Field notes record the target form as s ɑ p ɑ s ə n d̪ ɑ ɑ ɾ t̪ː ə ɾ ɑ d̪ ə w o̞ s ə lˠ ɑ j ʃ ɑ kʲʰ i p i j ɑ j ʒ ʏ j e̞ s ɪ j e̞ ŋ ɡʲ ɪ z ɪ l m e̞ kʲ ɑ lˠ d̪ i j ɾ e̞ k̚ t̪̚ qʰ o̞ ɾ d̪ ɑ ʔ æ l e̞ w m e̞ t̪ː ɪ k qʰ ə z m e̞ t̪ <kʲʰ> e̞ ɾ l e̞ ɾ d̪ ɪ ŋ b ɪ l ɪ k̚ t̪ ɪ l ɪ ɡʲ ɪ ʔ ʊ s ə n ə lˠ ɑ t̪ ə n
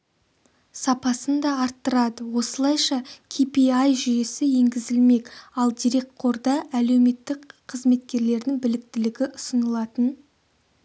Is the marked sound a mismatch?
yes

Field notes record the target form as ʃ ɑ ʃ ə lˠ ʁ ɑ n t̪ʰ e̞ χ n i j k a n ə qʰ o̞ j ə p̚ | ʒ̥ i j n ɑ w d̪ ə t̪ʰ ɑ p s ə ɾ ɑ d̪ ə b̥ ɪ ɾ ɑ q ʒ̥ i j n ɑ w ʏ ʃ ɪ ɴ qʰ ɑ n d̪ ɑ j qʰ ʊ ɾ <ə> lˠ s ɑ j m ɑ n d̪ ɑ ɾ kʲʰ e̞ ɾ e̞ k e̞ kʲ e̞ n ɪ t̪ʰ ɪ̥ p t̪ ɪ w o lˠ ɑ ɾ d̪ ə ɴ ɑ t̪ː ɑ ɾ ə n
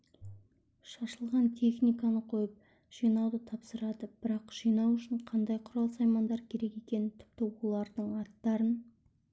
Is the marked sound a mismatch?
yes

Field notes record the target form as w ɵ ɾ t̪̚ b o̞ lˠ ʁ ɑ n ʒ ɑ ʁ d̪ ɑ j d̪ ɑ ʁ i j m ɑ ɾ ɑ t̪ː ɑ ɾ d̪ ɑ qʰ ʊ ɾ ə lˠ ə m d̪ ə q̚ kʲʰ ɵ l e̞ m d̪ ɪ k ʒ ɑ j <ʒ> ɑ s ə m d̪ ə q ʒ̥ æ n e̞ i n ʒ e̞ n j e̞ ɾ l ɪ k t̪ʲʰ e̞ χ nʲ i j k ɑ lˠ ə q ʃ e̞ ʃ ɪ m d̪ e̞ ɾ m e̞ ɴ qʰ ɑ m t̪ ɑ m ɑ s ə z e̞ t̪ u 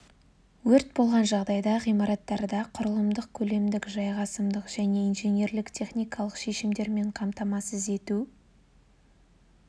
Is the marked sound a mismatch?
yes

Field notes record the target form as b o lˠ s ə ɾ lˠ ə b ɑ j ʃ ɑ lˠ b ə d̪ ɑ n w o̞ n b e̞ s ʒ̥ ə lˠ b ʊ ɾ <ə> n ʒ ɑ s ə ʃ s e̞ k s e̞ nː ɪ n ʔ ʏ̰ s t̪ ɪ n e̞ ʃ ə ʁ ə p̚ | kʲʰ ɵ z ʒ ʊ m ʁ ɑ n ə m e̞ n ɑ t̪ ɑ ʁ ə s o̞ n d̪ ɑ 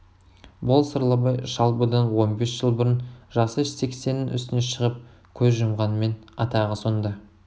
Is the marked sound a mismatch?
no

